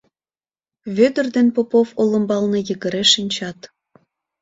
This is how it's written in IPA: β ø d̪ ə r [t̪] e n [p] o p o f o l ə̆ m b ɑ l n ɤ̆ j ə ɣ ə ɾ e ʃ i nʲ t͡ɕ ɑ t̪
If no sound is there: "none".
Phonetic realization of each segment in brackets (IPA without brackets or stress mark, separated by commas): d̪, p